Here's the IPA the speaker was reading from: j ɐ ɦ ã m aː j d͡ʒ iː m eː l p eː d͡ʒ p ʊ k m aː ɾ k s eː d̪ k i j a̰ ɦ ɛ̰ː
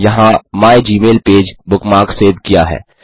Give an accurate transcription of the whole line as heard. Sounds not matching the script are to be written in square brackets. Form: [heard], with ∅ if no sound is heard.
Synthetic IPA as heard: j ɐ ɦ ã m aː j d͡ʒ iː m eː l p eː d͡ʒ [b] ʊ k m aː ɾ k s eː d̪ k i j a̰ ɦ ɛ̰ː